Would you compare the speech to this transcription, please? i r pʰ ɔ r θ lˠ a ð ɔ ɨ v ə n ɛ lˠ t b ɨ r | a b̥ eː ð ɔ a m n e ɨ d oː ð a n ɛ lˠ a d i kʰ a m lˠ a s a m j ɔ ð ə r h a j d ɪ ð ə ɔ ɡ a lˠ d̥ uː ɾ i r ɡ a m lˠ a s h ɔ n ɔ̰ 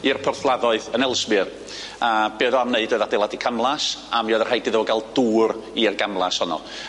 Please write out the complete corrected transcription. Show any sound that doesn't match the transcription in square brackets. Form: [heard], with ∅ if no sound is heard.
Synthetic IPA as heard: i r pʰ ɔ r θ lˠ a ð ɔ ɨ [ð] ə n ɛ lˠ [s] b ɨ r | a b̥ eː ð ɔ a m n e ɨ d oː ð a [d] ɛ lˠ a d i kʰ a m lˠ a s a m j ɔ ð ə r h a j d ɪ ð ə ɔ ɡ a lˠ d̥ uː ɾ i r ɡ a m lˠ a s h ɔ n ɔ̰